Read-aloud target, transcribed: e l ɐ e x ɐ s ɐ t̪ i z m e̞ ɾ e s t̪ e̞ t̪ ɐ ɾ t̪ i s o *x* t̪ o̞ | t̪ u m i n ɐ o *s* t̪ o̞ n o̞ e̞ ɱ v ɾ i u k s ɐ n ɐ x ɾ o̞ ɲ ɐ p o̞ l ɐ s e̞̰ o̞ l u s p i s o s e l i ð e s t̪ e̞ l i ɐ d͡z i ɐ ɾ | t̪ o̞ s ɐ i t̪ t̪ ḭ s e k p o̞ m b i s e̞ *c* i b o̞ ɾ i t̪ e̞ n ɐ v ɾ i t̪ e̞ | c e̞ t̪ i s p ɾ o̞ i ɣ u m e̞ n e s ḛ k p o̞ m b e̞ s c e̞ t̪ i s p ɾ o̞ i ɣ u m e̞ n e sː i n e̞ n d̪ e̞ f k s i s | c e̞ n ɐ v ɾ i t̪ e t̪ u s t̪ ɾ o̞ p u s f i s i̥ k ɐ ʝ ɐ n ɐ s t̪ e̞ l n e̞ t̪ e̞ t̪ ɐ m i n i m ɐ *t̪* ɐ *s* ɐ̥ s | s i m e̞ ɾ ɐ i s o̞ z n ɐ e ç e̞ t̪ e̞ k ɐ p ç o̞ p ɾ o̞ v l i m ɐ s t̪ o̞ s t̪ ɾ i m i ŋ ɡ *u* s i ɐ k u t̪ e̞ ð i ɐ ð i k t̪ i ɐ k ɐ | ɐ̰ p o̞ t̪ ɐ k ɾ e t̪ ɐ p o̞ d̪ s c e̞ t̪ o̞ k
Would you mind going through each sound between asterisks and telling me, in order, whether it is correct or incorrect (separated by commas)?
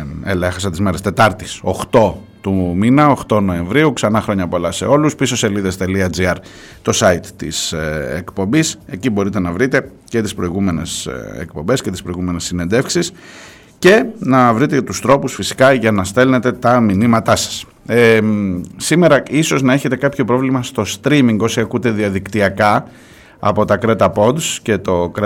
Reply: correct, incorrect, correct, correct, correct, incorrect